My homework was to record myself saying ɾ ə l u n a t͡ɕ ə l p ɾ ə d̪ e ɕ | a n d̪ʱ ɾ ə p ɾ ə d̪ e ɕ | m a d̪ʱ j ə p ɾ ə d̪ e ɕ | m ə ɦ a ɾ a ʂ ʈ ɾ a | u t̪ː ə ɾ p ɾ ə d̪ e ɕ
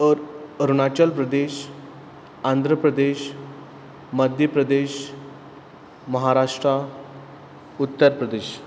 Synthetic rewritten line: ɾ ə ɾ u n a t͡ɕ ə l p ɾ ə d̪ e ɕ | a n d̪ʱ ɾ ə p ɾ ə d̪ e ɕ | m ə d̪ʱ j ə p ɾ ə d̪ e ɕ | m ə ɦ a ɾ a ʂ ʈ ɾ a | u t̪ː ə ɾ p ɾ ə d̪ e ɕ